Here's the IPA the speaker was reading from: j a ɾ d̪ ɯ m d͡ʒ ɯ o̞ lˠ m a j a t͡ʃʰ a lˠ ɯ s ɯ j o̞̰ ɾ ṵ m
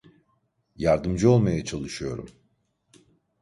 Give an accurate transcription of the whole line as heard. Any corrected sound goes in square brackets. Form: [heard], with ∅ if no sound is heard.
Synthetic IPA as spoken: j a ɾ d̪ ɯ m d͡ʒ ɯ o̞ lˠ m a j a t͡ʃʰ a lˠ ɯ [ʃ] ɯ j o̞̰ ɾ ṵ m